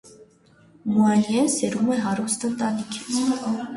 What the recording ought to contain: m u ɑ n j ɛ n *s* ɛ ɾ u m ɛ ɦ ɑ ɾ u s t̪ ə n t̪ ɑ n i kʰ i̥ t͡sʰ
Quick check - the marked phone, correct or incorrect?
correct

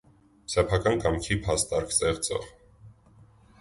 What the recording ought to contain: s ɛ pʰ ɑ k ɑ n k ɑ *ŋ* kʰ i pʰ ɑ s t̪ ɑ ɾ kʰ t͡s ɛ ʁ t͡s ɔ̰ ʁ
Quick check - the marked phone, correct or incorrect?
incorrect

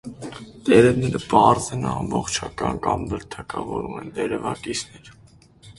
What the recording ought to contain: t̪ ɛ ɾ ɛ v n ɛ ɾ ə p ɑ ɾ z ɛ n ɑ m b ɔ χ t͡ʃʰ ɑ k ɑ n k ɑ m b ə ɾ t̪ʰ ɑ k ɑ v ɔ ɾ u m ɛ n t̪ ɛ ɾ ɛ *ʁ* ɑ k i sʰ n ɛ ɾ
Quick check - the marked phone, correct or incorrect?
incorrect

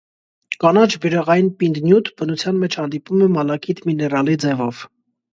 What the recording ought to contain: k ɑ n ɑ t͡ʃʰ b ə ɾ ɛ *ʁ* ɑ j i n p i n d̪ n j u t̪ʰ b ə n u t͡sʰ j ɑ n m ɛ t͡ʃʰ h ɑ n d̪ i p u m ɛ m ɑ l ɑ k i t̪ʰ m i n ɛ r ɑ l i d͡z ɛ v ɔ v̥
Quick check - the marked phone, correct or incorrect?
correct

